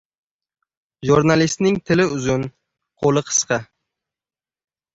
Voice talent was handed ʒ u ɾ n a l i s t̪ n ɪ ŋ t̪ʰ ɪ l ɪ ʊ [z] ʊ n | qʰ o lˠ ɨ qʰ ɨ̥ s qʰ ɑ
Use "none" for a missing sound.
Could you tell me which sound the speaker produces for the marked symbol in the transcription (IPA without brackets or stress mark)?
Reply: z